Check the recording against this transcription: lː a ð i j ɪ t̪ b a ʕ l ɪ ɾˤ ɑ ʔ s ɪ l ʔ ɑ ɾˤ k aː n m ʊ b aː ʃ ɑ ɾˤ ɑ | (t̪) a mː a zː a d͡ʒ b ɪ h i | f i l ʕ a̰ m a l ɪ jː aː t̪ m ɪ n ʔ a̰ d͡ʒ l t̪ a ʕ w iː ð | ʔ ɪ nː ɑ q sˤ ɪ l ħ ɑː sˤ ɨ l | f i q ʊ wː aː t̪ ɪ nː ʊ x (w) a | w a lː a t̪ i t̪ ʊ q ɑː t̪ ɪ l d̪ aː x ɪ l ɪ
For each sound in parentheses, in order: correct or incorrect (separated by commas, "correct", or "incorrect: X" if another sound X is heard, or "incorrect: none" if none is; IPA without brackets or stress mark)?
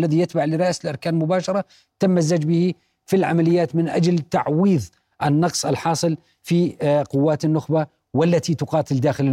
correct, incorrect: b